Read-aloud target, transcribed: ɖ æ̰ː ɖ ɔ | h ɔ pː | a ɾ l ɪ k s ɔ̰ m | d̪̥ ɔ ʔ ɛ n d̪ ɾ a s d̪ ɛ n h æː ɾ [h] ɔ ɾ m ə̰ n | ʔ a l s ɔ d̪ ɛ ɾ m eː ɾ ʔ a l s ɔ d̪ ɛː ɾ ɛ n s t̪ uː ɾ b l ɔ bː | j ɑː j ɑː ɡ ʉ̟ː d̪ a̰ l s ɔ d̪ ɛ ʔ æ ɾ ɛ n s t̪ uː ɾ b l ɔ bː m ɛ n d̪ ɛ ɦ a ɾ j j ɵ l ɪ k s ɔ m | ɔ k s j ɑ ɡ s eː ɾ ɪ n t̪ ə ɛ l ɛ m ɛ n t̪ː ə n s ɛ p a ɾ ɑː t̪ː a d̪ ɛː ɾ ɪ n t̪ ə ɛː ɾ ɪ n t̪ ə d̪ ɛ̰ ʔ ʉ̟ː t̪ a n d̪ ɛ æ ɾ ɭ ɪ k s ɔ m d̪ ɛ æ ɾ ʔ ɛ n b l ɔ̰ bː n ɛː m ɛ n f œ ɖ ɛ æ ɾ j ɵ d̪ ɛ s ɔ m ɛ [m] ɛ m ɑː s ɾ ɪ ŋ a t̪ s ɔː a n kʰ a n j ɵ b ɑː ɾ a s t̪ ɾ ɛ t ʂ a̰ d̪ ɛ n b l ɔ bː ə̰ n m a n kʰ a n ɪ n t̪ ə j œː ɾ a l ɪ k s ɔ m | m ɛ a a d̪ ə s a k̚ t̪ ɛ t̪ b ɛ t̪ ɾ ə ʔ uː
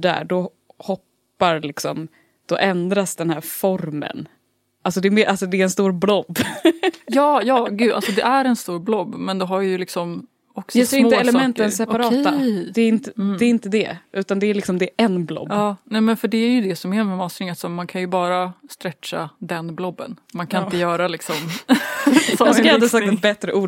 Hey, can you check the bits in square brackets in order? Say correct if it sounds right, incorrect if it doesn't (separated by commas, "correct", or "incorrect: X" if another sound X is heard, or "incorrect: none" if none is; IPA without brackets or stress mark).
incorrect: f, correct